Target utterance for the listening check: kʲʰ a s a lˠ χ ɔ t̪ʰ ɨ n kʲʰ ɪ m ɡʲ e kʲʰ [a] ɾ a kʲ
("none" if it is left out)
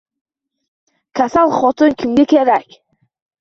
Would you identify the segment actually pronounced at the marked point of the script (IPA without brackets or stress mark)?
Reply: e